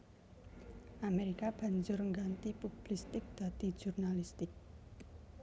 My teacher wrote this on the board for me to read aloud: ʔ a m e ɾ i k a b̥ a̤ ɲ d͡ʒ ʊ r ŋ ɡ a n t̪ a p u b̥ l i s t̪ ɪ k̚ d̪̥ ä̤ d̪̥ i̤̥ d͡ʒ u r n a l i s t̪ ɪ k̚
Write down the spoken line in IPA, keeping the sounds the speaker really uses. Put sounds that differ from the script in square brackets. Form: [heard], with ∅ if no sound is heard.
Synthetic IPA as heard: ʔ a m e ɾ i k a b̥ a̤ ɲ d͡ʒ ʊ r ŋ ɡ a n t̪ [i] p u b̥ l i s t̪ ɪ k̚ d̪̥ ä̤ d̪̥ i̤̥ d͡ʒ u r n a l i s t̪ ɪ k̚